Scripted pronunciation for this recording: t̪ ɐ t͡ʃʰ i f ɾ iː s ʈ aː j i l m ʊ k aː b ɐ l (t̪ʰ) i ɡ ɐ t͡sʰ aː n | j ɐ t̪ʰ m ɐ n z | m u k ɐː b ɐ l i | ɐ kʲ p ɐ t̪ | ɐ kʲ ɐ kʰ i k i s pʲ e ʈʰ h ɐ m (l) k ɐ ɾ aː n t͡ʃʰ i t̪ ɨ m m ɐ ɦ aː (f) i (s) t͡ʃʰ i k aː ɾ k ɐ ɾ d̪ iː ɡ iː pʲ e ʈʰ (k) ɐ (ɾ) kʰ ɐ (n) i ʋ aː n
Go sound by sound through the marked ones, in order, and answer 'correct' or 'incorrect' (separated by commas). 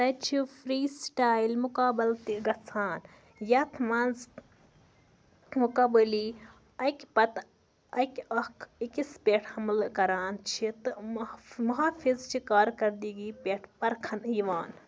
incorrect, correct, correct, incorrect, incorrect, correct, correct